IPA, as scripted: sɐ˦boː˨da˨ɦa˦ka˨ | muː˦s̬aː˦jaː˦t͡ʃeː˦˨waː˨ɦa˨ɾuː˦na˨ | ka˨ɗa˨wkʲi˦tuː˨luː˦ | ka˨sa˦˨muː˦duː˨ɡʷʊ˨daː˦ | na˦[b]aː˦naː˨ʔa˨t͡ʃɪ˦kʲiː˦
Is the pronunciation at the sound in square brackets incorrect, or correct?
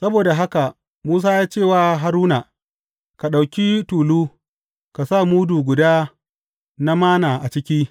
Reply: incorrect